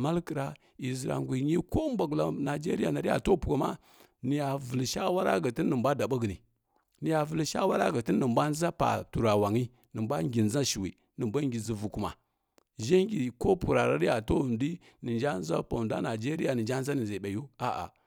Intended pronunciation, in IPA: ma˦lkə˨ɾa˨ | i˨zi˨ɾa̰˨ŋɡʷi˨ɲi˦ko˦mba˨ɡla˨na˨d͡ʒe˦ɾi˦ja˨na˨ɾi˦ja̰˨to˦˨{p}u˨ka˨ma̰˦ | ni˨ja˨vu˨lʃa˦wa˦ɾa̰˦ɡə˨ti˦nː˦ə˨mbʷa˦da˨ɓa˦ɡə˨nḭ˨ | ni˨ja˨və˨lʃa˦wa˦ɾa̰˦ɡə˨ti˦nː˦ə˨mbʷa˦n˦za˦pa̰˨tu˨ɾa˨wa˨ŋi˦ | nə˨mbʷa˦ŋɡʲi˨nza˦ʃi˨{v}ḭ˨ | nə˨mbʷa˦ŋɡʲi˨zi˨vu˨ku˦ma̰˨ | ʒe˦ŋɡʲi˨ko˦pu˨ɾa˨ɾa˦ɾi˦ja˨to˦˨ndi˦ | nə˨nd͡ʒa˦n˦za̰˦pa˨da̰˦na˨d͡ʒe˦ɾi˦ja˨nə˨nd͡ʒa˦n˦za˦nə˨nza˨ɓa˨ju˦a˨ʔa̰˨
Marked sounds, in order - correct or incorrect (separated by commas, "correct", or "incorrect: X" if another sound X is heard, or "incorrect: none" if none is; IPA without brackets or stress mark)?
correct, incorrect: w